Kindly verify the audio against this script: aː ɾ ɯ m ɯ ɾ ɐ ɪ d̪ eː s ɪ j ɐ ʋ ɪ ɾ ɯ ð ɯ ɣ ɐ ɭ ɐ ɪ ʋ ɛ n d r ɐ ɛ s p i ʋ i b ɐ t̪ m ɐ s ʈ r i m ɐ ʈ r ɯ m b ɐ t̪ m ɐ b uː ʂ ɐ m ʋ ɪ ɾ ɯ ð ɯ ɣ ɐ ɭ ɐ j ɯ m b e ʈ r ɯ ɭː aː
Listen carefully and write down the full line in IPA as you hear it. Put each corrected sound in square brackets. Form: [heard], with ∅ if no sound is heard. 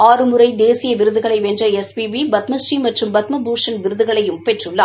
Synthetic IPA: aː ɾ ɯ m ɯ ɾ ɐ ɪ d̪ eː s ɪ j ɐ ʋ ɪ ɾ ɯ ð ɯ ɣ ɐ ɭ ɐ ɪ ʋ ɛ n d r ɐ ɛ s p i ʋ i b ɐ t̪ m ɐ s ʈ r i m ɐ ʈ r ɯ m b ɐ t̪ m ɐ b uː ʂ ɐ [n] ʋ ɪ ɾ ɯ ð ɯ ɣ ɐ ɭ ɐ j ɯ m [p] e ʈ r ɯ ɭː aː

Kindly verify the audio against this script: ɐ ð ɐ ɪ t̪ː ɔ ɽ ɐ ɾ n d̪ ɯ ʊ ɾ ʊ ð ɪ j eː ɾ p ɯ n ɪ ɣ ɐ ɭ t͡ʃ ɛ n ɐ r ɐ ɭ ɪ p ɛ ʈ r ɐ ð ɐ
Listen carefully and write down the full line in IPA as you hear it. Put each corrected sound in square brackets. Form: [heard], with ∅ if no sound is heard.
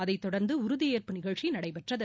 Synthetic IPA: ɐ ð ɐ ɪ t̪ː ɔ ɽ ɐ ɾ n d̪ ɯ ʊ ɾ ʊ ð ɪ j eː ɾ p ɯ n ɪ ɣ ɐ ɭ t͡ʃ [i] n ɐ [ɽ] ɐ [∅] ɪ p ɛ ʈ r ɐ ð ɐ

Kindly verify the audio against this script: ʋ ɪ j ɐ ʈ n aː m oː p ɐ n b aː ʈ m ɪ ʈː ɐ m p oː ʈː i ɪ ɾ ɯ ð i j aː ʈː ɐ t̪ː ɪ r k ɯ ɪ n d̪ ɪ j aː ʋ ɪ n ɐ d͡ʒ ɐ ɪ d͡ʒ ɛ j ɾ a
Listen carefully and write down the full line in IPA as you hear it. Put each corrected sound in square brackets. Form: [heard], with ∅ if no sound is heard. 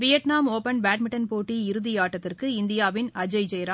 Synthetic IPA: ʋ ɪ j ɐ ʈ n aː m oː p ɐ n b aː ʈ m ɪ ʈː ɐ [n] p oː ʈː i ɪ ɾ ɯ ð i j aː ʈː ɐ t̪ː ɪ r k ɯ ɪ n d̪ ɪ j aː ʋ ɪ n ɐ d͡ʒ ɐ ɪ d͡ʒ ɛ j ɾ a

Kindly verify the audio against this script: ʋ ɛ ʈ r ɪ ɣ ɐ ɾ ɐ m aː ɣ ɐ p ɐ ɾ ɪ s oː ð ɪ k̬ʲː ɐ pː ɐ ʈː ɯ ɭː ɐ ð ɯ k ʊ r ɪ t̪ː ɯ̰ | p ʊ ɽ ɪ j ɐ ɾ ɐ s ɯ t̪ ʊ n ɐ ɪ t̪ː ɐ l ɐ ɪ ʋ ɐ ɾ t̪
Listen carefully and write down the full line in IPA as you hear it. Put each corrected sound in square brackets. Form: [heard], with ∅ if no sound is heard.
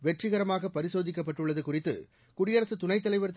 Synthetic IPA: ʋ ɛ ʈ r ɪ ɣ ɐ ɾ ɐ m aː ɣ ɐ p ɐ ɾ ɪ s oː ð ɪ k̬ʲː ɐ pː ɐ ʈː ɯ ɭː ɐ ð ɯ k ʊ r ɪ t̪ː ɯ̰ | [k] ʊ ɽ ɪ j ɐ ɾ ɐ s ɯ t̪ ʊ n ɐ ɪ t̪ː ɐ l ɐ ɪ ʋ ɐ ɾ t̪

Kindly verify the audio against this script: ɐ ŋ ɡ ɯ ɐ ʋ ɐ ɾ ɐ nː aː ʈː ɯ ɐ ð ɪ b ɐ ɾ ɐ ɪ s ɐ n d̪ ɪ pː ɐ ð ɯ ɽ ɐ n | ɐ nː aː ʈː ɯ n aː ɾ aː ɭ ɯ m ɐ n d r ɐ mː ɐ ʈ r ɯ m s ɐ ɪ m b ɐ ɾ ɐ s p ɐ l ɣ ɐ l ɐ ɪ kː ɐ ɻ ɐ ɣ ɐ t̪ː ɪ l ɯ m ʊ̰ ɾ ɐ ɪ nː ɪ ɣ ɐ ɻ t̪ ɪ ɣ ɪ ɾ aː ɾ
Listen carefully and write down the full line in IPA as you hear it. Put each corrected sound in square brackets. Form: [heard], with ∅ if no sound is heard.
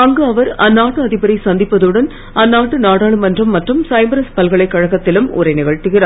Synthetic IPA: ɐ ŋ ɡ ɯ ɐ ʋ ɐ ɾ ɐ nː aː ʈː ɯ ɐ ð ɪ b ɐ ɾ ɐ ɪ s ɐ n d̪ ɪ pː ɐ ð ɯ ɽ ɐ n | ɐ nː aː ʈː ɯ n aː [ɽ] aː ɭ ɯ m ɐ n d r ɐ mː ɐ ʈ r ɯ m s ɐ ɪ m b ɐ ɾ ɐ s p ɐ l ɣ ɐ [ɭ] ɐ ɪ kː ɐ ɻ ɐ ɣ ɐ t̪ː ɪ l ɯ m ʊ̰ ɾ ɐ ɪ [n] ɪ ɣ ɐ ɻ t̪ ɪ ɣ ɪ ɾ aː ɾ

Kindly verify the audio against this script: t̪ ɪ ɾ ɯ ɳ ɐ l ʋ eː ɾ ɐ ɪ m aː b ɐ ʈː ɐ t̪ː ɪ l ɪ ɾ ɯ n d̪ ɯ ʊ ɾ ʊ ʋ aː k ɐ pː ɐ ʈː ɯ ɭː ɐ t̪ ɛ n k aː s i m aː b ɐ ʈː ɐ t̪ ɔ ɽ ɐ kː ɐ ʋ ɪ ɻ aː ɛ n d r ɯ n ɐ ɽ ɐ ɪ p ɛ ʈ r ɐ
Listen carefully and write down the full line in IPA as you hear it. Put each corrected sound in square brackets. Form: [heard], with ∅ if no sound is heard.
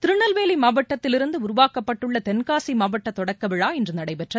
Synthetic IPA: t̪ ɪ ɾ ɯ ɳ ɐ l ʋ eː [l] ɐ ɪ m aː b ɐ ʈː ɐ t̪ː ɪ l ɪ ɾ ɯ n d̪ ɯ ʊ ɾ ʊ ʋ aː k ɐ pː ɐ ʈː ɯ ɭː ɐ t̪ ɛ n k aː s i m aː b ɐ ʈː ɐ t̪ ɔ ɽ ɐ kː ɐ ʋ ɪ ɻ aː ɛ n d r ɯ n ɐ ɽ ɐ ɪ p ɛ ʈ r ɐ

